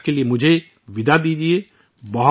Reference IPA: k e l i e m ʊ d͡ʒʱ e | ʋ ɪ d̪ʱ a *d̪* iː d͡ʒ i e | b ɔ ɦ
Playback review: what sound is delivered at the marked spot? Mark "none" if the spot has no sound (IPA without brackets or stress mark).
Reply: d̪